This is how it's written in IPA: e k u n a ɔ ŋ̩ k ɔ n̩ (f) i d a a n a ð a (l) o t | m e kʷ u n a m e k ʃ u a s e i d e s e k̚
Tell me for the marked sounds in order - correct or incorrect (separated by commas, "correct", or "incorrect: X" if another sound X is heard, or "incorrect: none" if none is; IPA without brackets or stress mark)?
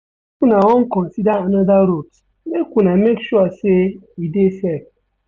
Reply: incorrect: s, incorrect: ɾ